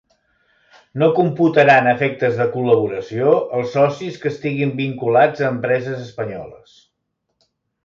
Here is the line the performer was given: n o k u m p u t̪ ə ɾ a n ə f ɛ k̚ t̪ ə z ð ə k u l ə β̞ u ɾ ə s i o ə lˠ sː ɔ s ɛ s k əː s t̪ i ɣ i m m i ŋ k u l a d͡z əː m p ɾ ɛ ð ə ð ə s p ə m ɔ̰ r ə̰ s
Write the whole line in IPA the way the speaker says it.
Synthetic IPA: n o k u m p u t̪ ə ɾ a n ə f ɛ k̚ t̪ ə z ð ə k u l ə β̞ u ɾ ə s i o ə lˠ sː ɔ s i s k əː s t̪ i ɣ i m b i ŋ k u l a d͡z əː m p ɾ ɛ z ə z ə s p ə ɲ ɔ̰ l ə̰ s